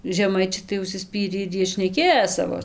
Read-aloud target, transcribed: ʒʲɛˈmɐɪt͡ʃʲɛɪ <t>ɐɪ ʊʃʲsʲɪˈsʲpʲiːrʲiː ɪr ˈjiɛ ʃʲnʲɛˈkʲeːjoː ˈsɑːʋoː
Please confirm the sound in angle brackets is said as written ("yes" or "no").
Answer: yes